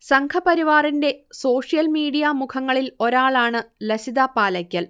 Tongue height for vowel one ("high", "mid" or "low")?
low